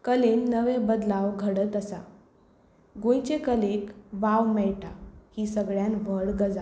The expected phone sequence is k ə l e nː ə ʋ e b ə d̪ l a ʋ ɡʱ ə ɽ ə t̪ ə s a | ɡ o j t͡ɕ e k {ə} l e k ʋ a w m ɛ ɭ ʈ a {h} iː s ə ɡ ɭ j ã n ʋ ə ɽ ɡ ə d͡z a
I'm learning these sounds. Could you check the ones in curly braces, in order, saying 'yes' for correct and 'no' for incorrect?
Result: yes, yes

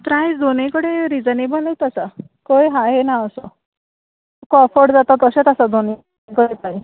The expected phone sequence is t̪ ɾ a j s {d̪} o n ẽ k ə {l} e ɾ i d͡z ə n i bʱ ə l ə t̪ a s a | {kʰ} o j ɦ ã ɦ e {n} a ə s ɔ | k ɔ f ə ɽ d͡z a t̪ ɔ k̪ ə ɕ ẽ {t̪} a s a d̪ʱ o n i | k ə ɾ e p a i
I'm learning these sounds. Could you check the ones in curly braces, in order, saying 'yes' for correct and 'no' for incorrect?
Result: yes, no, no, yes, yes

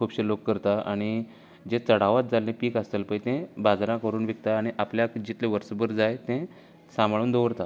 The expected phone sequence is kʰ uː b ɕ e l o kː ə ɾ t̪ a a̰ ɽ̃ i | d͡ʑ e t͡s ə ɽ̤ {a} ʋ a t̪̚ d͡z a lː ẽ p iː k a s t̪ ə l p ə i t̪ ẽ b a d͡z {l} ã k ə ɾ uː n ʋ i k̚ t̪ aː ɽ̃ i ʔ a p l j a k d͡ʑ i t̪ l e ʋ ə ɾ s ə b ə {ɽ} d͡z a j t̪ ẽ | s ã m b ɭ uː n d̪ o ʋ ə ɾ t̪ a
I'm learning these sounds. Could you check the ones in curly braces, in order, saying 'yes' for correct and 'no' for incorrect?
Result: yes, no, no

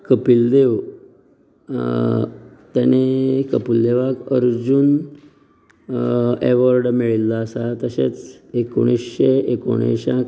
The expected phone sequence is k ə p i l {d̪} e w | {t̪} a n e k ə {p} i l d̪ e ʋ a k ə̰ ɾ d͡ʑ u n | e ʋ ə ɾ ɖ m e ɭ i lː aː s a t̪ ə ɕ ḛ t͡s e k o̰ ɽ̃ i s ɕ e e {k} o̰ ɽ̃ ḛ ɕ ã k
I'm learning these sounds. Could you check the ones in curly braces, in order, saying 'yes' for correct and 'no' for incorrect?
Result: yes, yes, yes, yes

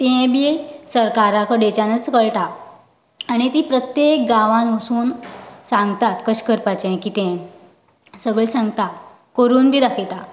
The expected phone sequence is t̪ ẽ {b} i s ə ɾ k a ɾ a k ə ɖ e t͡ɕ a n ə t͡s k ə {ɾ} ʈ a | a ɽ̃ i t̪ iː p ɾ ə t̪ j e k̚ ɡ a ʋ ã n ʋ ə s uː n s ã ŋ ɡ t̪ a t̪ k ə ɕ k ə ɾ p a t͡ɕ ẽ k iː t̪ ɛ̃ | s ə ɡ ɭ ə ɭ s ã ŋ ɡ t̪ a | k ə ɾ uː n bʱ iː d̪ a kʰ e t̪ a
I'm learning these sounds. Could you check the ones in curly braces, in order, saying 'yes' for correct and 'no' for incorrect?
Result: yes, no

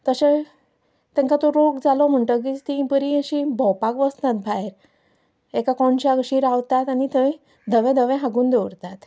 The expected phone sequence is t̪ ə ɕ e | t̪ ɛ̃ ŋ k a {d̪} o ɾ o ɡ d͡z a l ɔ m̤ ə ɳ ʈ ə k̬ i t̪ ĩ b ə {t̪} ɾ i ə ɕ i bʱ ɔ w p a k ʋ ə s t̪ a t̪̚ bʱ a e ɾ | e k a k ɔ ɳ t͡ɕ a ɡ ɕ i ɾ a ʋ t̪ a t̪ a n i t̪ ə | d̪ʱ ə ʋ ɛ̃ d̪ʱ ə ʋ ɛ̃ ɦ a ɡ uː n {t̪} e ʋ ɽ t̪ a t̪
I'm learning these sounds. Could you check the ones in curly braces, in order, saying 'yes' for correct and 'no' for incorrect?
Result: no, no, no

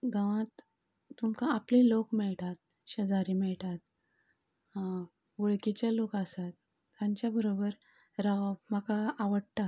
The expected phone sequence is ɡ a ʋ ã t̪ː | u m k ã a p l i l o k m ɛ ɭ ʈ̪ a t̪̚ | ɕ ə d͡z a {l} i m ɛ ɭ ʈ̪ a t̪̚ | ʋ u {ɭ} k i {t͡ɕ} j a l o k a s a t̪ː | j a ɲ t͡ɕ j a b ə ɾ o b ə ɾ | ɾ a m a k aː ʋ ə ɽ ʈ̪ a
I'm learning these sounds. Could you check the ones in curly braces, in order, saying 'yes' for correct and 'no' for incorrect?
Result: no, yes, yes

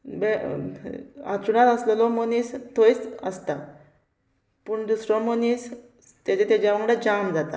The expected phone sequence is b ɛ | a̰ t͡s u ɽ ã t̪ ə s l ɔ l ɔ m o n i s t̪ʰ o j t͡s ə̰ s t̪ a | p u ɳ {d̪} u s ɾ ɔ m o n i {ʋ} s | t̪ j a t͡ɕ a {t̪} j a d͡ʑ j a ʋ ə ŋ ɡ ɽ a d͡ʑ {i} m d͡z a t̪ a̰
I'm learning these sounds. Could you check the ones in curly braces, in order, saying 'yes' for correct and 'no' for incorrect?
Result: yes, no, yes, no

